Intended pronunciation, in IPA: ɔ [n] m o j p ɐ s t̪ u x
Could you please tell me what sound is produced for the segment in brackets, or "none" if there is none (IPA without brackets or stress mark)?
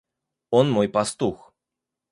n